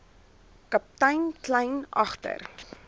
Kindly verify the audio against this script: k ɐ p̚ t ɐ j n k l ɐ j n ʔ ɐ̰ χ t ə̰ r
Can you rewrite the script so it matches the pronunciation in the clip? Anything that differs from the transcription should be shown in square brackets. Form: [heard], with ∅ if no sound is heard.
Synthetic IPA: k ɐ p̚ t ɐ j n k l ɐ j n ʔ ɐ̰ χ t ə̰ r